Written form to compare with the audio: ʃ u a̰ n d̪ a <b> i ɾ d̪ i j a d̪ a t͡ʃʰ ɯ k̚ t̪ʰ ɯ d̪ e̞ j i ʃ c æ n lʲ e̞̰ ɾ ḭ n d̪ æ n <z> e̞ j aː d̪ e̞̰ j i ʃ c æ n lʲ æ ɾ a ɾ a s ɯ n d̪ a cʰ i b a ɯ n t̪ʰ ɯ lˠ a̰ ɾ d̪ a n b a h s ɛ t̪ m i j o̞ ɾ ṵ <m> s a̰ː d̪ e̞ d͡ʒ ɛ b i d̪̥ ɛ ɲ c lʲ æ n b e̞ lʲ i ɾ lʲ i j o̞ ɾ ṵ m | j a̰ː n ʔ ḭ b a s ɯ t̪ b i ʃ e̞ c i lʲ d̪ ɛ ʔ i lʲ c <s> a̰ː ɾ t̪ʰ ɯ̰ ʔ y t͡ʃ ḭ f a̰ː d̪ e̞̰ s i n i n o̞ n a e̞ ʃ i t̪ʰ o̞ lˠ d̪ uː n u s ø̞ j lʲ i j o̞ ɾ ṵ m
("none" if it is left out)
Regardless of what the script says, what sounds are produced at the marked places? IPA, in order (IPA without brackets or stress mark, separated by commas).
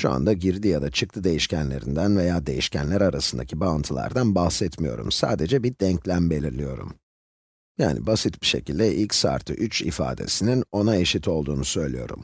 ɟ, v, m, s